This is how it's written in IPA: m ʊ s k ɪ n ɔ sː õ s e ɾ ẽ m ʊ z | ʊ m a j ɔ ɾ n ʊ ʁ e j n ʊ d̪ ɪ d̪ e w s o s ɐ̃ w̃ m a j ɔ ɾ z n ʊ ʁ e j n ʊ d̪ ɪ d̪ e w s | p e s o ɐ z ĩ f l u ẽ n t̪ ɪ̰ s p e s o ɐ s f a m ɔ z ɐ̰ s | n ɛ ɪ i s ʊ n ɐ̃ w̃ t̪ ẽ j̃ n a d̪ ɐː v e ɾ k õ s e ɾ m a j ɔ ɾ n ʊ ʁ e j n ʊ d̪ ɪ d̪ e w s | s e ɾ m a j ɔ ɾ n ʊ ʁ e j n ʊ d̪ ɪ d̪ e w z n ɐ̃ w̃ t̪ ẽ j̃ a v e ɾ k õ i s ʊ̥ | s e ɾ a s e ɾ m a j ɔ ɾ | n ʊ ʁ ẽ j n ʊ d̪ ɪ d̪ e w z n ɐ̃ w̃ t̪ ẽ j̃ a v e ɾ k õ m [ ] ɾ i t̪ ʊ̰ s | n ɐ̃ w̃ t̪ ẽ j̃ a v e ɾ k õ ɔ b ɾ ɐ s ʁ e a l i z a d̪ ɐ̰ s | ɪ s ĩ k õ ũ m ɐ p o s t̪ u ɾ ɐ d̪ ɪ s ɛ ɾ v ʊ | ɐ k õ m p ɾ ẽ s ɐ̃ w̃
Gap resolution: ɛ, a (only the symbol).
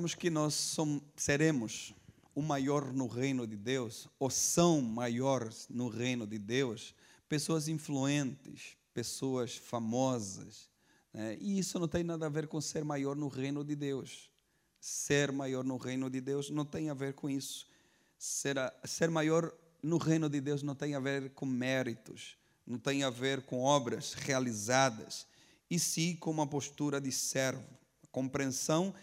ɛ